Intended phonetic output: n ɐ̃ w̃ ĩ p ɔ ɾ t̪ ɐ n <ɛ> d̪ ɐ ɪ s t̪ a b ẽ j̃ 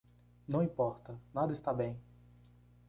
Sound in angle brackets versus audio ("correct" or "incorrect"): incorrect